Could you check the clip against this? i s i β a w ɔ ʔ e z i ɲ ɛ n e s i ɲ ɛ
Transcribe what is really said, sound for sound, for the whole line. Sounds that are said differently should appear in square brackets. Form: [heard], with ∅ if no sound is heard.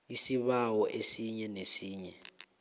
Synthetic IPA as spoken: i s i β a w ɔ ʔ e [s] i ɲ ɛ n e s [iː] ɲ ɛ